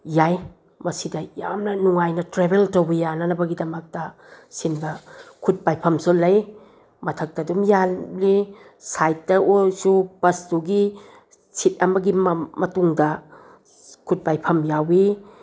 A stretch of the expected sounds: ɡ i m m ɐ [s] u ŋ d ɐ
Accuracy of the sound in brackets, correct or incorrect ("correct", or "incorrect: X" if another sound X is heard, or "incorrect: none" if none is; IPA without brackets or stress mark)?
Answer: incorrect: t